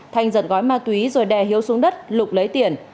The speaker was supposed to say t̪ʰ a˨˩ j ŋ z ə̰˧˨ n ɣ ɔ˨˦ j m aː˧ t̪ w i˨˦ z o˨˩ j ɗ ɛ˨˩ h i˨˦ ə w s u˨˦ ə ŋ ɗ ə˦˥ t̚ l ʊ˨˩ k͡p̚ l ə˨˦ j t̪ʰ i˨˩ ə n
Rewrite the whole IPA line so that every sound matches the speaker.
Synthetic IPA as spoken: t̪ʰ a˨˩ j ŋ z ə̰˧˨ n ɣ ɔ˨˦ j m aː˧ t̪ w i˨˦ z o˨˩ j ɗ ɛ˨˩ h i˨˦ ə w s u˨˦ ə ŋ ɗ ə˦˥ t̚ l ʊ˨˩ k͡p̚ l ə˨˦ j t̪ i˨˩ ə n